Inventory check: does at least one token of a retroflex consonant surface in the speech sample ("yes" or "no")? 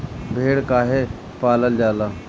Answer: yes